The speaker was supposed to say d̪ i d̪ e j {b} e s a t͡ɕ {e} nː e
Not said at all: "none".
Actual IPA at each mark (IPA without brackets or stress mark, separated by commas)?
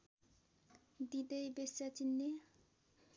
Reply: b, i